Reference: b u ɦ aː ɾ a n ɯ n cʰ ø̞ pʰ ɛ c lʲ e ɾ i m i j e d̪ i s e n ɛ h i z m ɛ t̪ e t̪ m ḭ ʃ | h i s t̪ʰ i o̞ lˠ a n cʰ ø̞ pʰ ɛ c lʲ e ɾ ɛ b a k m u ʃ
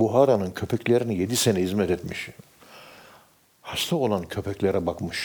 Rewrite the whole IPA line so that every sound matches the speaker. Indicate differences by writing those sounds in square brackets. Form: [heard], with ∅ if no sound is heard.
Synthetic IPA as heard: b u ɦ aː ɾ a n ɯ n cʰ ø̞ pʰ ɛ c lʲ e ɾ i [n] i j e d̪ i s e n ɛ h i z m ɛ t̪ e t̪ m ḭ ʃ | h [a] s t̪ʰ [a] o̞ lˠ a n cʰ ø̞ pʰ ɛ c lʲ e ɾ ɛ b a k m [ɯ] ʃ